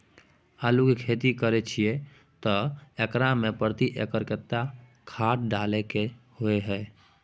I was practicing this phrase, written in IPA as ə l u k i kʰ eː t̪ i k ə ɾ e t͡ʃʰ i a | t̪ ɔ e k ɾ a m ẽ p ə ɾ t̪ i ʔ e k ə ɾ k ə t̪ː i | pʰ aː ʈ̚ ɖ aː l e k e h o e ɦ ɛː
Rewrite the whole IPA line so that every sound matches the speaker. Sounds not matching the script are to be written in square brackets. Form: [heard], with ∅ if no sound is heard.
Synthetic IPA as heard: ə l u k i kʰ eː t̪ i k ə ɾ e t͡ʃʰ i [e] | t̪ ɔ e k ɾ a m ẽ p ə ɾ t̪ i ʔ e k ə ɾ k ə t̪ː [a] | [kʰ] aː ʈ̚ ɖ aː l e k e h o e ɦ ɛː